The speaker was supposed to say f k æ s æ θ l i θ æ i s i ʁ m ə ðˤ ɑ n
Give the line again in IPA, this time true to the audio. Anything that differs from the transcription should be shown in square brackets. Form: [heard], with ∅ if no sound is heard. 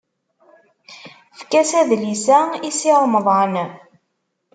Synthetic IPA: f k æ s æ [ð] l i [s] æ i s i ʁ m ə ðˤ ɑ n